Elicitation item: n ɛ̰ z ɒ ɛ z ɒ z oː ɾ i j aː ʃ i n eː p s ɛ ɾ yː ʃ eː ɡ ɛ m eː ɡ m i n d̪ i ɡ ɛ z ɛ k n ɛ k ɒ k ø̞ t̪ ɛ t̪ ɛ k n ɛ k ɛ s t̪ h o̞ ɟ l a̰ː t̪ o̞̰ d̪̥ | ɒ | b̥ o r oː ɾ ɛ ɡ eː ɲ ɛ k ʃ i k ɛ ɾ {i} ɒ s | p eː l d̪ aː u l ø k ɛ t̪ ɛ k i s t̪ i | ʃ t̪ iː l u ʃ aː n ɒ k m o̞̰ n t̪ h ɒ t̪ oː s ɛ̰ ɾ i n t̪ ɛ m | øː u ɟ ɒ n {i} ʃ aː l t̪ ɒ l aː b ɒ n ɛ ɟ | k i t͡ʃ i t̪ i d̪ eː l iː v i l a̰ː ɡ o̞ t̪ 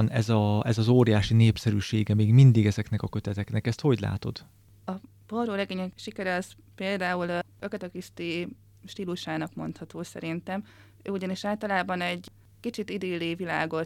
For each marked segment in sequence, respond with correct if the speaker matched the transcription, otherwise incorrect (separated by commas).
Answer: incorrect, correct